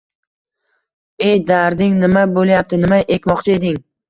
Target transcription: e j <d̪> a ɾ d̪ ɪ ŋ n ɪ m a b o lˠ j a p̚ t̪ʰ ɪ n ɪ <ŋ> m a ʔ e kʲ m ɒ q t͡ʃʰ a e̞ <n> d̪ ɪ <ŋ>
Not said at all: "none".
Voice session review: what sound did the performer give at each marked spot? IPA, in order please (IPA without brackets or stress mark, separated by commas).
d̪, none, none, ŋ